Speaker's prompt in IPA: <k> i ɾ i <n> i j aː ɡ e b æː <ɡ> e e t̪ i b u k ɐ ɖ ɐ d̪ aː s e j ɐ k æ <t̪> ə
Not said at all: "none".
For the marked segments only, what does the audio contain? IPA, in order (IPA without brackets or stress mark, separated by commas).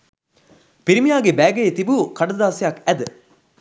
p, m, ɡ, d̪